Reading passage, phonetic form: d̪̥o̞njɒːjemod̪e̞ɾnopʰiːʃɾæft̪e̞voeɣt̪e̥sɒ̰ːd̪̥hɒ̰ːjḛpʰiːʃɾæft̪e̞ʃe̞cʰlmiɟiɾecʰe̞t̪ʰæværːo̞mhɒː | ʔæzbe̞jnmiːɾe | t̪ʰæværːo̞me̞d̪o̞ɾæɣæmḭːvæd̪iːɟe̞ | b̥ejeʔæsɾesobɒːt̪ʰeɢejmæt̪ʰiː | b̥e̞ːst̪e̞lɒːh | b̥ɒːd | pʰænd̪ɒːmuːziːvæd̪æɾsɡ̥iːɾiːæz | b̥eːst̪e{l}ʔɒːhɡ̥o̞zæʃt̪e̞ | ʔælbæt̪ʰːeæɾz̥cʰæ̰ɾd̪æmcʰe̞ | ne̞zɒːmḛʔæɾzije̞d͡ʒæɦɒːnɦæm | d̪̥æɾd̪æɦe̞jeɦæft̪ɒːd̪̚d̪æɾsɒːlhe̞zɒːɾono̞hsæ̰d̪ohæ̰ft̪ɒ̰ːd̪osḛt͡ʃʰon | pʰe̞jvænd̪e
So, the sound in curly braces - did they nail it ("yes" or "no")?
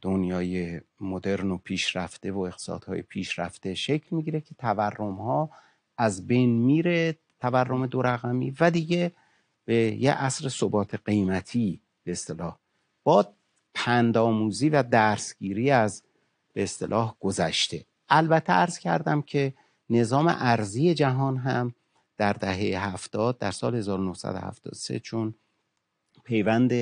yes